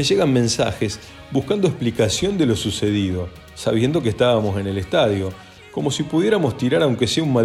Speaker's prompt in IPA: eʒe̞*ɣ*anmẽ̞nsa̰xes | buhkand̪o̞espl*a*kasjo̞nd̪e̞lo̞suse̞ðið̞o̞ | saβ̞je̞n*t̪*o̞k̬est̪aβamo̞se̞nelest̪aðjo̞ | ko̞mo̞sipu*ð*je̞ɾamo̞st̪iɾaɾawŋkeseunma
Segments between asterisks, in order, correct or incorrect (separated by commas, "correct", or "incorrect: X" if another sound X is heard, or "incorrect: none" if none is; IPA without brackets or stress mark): correct, incorrect: i, incorrect: d̪, correct